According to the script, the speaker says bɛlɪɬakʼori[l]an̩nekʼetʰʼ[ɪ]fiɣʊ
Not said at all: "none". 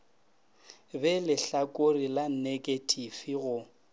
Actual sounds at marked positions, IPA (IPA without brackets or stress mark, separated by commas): l, i